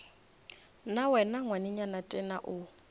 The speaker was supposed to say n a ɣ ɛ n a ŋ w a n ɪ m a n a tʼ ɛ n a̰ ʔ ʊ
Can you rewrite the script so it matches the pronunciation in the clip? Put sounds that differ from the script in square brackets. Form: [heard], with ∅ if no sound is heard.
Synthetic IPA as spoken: n a [w] ɛ n a ŋ w a n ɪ [ɲ] a n a tʼ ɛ n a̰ ʔ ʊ